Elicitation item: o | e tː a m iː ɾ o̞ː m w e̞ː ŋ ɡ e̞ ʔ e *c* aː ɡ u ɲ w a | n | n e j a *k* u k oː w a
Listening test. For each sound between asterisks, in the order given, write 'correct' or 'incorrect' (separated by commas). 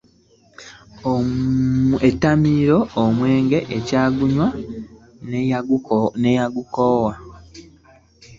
correct, incorrect